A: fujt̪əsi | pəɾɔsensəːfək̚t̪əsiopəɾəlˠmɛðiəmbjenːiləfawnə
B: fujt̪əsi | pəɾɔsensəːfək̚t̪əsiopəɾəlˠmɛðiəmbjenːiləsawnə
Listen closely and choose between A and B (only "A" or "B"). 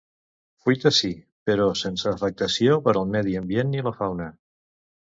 A